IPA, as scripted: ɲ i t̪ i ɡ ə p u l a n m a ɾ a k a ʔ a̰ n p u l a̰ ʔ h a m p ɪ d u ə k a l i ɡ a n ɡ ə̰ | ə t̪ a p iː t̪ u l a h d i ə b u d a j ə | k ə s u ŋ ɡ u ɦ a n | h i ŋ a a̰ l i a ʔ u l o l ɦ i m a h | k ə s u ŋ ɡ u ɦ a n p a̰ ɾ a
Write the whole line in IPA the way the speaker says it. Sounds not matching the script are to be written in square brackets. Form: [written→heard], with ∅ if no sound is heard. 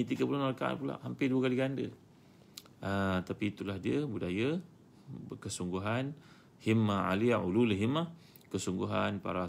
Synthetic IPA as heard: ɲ i t̪ i ɡ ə p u l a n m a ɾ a k a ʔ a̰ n p u l a̰ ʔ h a m p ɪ d u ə k a l i ɡ a n [ɡ→d] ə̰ | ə t̪ a p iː t̪ u l a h d i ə b u d a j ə | k ə s u ŋ ɡ u ɦ a n | h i [ŋ→m] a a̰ l i a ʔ u l [o→u] l ɦ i m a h | k ə s u ŋ ɡ u ɦ a n p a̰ ɾ a